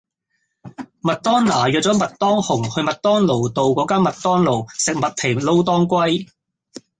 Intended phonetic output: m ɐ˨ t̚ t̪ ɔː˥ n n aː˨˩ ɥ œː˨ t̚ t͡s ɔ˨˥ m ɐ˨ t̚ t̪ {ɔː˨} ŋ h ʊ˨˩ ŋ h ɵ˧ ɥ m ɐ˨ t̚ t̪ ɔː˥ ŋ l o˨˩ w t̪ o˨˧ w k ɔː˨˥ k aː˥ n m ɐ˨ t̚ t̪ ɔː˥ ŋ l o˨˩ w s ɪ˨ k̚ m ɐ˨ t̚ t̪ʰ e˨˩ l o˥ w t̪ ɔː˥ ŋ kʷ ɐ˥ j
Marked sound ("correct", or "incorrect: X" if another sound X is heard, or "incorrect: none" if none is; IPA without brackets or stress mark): incorrect: ɔː˥